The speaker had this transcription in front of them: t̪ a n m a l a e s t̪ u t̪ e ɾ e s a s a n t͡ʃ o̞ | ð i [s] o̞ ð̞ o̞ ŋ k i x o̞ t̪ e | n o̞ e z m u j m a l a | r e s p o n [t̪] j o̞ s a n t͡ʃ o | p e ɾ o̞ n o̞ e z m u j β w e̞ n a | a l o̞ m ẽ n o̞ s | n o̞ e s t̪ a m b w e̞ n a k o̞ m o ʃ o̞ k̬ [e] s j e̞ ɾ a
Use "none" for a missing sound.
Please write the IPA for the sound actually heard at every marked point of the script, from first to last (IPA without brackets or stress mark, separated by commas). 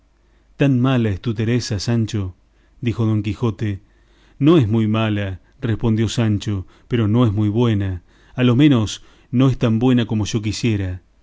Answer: x, d̪, i